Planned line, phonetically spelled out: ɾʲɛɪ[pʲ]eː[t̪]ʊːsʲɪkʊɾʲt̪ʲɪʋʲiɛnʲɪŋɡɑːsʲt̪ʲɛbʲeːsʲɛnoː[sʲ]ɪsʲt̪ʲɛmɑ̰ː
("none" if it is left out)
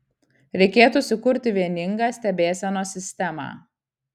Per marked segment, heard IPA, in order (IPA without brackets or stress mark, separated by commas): kʲ, t̪, sʲ